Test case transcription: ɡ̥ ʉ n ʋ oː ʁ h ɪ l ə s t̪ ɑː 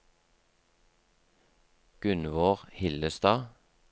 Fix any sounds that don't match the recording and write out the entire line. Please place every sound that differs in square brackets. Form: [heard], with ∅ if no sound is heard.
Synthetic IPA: ɡ̥ ʉ n ʋ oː ʁ h ɪ l ə s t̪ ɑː

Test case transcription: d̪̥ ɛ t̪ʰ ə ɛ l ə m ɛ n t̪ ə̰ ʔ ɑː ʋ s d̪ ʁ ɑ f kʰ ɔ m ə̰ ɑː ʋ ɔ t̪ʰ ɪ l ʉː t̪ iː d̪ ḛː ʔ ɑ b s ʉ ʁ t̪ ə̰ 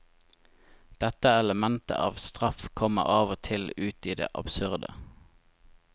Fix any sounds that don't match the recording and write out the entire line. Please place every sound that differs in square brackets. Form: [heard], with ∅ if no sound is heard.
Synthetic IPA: d̪̥ ɛ [t̪] ə ɛ l ə m ɛ n t̪ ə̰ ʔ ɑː ʋ s [t̪] ʁ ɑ f kʰ ɔ m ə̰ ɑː ʋ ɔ t̪ʰ ɪ l ʉː t̪ iː d̪ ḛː ʔ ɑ b s ʉ ʁ [d̪] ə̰

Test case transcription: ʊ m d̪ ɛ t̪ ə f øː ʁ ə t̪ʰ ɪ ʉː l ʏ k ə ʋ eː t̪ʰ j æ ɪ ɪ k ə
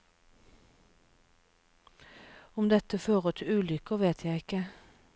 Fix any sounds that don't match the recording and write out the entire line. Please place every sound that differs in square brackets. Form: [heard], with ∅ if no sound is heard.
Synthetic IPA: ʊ m d̪ ɛ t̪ ə f øː ʁ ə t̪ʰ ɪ ʉː l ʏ k ə ʋ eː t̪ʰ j æ ɪ ɪ k ə

